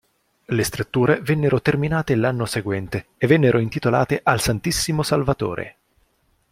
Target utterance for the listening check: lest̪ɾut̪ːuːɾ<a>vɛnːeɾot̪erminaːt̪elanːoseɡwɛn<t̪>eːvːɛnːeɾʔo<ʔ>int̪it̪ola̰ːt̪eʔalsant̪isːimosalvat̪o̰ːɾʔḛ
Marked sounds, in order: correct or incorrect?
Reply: incorrect: e, correct, incorrect: none

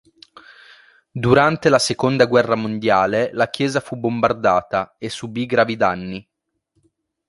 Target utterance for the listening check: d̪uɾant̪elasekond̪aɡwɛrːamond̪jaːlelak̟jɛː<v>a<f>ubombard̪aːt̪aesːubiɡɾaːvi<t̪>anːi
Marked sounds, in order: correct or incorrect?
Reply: incorrect: z, correct, incorrect: d̪

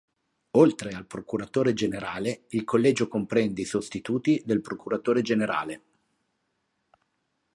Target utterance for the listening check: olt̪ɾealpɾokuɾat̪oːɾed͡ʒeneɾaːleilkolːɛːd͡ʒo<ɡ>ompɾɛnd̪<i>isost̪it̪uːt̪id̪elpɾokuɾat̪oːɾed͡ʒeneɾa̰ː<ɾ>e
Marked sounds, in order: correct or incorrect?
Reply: incorrect: k, incorrect: e, incorrect: l

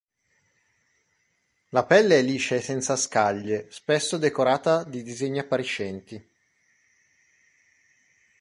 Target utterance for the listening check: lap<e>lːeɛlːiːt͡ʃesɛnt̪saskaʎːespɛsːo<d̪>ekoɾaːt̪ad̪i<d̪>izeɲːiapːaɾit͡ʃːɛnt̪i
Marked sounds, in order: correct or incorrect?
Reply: incorrect: ɛ, correct, correct

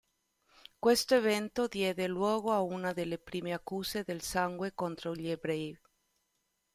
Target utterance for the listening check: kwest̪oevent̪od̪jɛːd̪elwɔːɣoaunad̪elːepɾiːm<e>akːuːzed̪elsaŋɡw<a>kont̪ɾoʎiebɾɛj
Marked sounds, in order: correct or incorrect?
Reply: correct, incorrect: e

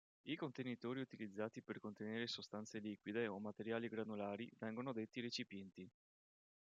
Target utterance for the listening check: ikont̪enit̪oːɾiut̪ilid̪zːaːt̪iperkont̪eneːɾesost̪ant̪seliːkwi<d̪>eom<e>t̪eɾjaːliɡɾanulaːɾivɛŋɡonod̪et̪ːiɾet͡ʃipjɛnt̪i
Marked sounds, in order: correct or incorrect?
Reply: correct, incorrect: a

